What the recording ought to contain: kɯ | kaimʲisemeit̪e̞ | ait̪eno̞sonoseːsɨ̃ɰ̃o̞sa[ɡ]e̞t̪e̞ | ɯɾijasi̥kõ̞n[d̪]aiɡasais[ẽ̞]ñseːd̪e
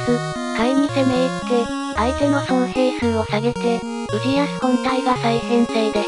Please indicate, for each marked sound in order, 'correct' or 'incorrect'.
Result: correct, incorrect: t̪, correct

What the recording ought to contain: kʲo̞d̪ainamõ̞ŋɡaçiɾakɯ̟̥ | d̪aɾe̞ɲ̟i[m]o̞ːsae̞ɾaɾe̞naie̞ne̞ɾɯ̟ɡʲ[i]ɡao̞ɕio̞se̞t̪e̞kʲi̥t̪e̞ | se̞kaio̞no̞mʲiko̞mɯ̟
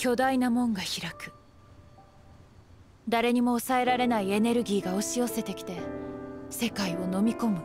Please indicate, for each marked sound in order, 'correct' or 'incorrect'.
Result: correct, incorrect: iː

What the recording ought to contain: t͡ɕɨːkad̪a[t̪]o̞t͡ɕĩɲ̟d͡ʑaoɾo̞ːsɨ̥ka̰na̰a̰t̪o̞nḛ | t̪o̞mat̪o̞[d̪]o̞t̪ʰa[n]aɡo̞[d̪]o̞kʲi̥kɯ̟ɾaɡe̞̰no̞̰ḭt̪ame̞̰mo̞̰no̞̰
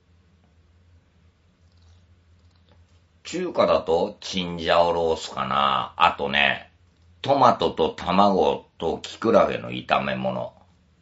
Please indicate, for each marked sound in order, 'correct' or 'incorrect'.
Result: correct, incorrect: t̪, incorrect: m, incorrect: t̪

